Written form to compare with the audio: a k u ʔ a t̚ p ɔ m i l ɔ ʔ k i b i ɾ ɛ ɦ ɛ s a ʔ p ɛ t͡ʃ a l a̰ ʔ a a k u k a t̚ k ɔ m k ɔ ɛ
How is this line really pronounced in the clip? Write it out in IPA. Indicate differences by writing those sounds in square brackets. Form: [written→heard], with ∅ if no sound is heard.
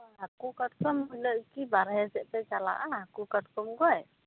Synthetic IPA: a k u [ʔ→k] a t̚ [p→k] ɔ m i l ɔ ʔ k i b [i→a] ɾ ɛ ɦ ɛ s [a→ɛ] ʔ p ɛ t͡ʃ a l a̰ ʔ a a k u k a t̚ k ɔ m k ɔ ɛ